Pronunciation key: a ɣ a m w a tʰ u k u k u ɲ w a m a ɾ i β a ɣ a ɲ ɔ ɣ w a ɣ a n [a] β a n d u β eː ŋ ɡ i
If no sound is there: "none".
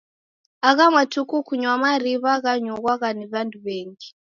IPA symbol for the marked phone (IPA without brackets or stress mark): i